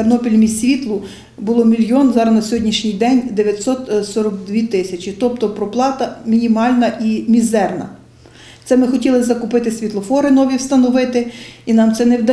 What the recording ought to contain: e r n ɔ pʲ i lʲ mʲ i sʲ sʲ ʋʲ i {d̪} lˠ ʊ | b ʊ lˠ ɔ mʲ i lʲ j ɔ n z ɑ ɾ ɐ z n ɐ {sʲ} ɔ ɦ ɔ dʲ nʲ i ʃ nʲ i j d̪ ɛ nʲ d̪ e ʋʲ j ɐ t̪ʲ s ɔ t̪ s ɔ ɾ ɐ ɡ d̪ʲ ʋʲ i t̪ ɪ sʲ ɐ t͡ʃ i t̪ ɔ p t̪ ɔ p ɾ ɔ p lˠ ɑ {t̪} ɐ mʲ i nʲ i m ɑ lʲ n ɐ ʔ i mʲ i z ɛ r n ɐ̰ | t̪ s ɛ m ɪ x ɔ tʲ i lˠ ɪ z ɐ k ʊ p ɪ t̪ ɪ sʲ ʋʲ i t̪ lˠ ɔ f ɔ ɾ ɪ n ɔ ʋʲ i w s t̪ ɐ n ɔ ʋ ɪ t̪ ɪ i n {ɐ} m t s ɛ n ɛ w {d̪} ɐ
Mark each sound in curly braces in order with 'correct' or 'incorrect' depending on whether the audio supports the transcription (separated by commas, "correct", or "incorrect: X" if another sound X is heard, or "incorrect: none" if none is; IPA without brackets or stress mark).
incorrect: t̪, correct, correct, incorrect: ɑ, correct